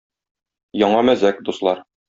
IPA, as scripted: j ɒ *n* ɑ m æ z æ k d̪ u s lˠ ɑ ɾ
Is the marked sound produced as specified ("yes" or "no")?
no